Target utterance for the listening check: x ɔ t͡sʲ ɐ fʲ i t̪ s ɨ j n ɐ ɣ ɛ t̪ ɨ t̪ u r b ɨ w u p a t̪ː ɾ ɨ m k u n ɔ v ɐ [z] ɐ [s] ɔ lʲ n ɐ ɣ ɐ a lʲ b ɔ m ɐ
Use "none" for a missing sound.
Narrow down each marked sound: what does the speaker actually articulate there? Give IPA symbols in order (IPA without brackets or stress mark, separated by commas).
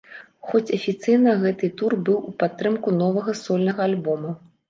ɣ, s